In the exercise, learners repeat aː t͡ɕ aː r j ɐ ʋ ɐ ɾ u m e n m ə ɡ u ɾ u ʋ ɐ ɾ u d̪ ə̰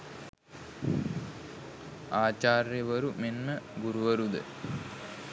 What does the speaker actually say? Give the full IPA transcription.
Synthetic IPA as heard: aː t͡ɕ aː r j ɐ ʋ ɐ ɾ u m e n m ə ɡ u ɾ u ʋ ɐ ɾ u d̪ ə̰